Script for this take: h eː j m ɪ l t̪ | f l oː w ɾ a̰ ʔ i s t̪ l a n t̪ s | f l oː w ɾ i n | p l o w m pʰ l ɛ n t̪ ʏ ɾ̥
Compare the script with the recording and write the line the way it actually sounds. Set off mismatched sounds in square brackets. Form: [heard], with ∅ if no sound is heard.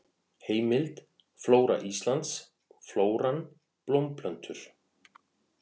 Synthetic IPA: h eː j m ɪ l t̪ | f l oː w ɾ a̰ ʔ i s t̪ l a n t̪ s | f l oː w ɾ [a] n | p l o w m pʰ l [œ] n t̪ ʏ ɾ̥